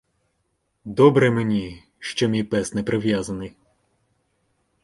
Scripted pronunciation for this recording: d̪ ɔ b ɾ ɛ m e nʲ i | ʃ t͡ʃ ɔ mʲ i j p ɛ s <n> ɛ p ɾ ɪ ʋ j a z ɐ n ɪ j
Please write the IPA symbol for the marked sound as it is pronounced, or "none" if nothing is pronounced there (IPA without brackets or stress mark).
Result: n